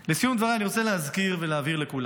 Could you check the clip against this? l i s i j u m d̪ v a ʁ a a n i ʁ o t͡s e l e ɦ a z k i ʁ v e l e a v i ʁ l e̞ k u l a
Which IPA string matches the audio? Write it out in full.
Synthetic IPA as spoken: l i s i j u m d̪ v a ʁ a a n i ʁ o t͡s e l e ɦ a z k i ʁ v e l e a v i ʁ l e̞ k u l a